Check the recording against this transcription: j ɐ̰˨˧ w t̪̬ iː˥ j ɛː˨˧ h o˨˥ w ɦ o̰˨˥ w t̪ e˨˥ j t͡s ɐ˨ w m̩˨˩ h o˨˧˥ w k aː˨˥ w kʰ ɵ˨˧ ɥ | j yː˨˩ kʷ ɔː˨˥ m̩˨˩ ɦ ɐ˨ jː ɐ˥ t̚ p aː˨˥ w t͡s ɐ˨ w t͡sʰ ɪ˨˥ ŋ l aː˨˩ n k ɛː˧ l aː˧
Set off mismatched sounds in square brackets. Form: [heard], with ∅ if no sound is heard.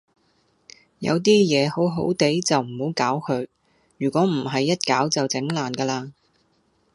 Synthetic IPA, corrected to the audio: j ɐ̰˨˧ w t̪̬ iː˥ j ɛː˨˧ h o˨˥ w ɦ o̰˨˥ w t̪ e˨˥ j t͡s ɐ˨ w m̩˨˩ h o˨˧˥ w k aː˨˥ w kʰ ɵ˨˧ ɥ | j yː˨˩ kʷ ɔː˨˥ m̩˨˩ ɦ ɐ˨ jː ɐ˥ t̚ [k] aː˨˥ w t͡s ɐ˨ w [t͡s] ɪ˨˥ ŋ l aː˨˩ n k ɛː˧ l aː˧